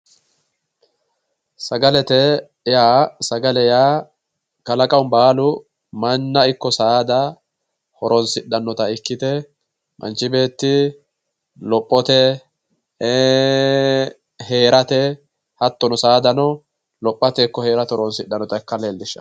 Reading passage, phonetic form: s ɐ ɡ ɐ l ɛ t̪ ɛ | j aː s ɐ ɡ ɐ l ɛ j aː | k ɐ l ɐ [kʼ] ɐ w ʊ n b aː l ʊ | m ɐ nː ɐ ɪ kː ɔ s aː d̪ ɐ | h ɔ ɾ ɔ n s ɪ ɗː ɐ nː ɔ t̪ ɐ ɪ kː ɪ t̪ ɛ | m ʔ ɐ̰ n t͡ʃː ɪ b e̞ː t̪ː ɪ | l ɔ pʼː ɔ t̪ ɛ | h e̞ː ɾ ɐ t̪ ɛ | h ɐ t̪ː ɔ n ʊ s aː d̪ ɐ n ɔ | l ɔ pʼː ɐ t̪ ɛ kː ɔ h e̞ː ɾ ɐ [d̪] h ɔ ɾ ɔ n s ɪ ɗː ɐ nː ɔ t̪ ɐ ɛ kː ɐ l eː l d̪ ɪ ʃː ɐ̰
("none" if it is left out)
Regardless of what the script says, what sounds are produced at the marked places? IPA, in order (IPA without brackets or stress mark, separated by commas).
kʼ, t̪